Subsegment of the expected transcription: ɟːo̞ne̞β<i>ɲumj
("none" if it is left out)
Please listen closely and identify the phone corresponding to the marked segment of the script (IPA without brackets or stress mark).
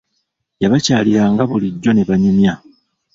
a